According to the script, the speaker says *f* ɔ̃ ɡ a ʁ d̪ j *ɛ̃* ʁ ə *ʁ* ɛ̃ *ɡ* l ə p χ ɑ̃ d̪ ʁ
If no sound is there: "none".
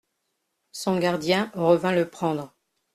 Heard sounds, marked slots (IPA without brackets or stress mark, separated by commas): s, ɛ̃, v, none